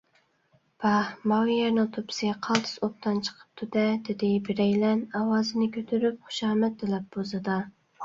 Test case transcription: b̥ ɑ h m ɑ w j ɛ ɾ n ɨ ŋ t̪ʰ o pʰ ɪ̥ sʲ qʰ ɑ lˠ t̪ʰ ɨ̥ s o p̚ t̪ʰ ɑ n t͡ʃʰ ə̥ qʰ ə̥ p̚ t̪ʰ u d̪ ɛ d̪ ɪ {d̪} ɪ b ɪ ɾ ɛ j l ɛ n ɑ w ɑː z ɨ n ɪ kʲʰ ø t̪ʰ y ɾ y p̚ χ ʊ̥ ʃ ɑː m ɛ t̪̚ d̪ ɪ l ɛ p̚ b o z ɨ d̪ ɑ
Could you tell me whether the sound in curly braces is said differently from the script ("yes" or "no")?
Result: no